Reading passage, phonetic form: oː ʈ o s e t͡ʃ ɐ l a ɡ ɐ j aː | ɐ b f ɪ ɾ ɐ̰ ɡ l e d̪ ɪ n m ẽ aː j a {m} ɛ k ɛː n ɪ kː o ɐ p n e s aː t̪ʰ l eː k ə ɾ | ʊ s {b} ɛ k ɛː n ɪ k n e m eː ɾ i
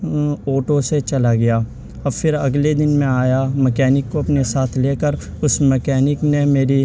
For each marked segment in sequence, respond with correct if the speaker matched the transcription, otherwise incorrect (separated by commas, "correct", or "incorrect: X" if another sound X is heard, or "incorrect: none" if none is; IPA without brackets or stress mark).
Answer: correct, incorrect: m